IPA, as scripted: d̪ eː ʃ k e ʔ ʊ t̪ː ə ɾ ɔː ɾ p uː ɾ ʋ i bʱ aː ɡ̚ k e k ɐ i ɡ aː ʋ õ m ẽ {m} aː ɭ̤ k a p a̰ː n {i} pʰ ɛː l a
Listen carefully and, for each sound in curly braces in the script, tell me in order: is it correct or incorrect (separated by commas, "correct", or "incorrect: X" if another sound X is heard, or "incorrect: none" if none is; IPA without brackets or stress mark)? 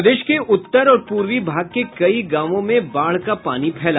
incorrect: b, correct